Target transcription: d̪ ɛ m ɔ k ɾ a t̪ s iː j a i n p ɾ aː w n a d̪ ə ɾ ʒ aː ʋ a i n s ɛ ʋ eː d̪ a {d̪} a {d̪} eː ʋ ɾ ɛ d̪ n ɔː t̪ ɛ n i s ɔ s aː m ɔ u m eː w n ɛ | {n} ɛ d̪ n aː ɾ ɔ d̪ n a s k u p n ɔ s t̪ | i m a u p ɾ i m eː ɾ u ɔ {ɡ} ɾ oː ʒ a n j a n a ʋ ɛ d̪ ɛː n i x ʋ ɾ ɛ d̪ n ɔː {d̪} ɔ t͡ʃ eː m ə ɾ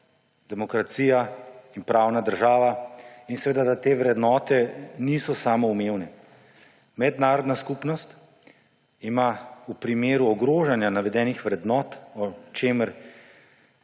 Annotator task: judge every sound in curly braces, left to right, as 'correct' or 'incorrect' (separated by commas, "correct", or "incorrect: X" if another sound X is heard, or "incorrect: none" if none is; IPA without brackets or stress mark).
correct, incorrect: t̪, incorrect: m, correct, incorrect: t̪